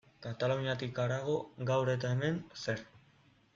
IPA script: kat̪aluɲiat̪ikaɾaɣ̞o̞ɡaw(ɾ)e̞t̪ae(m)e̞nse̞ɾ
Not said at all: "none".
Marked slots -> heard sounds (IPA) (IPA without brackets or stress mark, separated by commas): ɾ, m